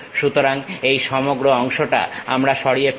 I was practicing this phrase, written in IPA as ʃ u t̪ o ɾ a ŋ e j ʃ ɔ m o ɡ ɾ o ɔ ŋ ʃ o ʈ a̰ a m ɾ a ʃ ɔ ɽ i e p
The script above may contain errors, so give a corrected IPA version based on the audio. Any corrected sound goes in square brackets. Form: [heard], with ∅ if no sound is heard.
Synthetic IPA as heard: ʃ u t̪ o ɾ a ŋ e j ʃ ɔ m o ɡ ɾ o ɔ ŋ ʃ o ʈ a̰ a m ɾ a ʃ ɔ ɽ i e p